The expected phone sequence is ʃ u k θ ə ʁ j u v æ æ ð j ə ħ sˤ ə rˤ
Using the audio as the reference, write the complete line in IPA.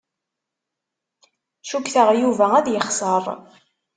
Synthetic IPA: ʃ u k θ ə ʁ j u v æ æ ð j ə χ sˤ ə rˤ